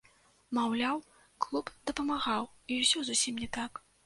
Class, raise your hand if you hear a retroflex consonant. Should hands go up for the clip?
no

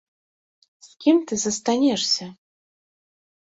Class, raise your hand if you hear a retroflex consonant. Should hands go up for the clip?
yes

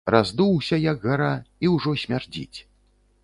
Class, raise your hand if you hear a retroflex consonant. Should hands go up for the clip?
yes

